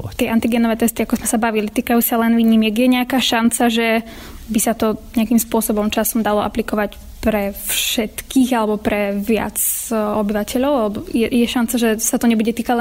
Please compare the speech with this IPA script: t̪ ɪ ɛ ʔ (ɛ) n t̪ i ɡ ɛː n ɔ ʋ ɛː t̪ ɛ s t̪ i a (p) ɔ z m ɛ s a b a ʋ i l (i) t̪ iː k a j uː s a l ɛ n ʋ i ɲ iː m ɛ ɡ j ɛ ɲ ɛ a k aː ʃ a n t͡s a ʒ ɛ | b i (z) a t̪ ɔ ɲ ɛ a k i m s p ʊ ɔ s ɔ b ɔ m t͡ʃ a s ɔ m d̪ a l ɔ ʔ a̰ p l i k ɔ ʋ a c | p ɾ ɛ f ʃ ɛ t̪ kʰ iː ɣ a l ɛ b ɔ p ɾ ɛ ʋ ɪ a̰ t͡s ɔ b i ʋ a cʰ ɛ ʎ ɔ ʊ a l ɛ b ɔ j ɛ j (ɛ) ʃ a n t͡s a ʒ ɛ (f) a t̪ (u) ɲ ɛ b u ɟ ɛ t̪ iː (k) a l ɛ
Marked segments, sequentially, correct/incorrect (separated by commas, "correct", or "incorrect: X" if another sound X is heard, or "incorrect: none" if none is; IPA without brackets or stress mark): incorrect: a, incorrect: k, correct, incorrect: s, correct, incorrect: s, incorrect: ɔ, correct